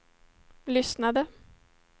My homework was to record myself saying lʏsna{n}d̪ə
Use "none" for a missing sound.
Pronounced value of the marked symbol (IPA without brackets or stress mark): none